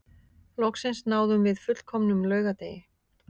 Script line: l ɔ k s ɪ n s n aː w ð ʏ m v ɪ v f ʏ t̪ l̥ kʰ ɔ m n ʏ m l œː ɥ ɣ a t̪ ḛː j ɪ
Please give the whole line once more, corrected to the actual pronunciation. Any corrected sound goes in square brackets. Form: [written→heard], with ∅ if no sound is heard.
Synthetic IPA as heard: l ɔ k s ɪ n s n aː w ð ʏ m v ɪ [v→ð] f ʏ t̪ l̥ kʰ ɔ m n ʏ m l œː ɥ ɣ a t̪ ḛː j ɪ